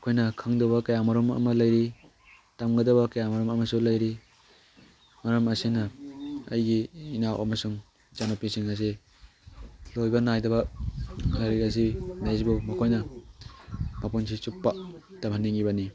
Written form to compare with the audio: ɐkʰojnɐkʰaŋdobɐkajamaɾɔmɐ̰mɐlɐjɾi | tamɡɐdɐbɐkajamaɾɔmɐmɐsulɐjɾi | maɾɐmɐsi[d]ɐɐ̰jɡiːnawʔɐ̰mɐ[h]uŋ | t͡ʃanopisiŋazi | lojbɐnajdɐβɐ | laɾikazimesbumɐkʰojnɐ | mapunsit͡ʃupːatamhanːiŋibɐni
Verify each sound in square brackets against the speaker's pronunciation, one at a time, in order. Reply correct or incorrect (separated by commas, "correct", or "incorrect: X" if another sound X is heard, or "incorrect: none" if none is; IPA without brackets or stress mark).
incorrect: n, incorrect: s